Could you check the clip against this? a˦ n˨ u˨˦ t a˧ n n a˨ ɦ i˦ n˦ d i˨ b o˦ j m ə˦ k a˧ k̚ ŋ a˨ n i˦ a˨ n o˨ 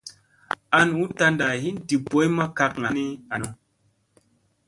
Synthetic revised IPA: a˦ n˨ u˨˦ t a˧ n d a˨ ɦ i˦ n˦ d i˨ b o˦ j m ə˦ k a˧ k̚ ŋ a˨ n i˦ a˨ n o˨